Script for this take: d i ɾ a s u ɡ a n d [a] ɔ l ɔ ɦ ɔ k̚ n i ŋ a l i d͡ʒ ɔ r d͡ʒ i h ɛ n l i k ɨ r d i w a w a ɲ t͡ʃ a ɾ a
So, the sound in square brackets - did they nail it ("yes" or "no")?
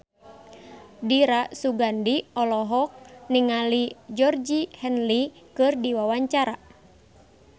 no